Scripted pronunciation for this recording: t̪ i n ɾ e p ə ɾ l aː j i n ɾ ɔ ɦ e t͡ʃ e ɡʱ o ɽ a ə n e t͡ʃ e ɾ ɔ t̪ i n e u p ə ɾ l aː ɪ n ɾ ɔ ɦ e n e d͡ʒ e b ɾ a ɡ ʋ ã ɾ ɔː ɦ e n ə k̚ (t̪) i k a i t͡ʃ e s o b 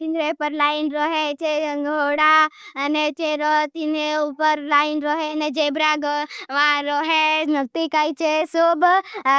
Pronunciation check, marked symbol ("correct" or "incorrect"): correct